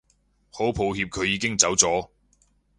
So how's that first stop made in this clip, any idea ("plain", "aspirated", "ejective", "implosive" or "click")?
aspirated